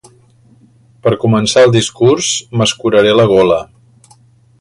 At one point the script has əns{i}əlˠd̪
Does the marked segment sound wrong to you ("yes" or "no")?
yes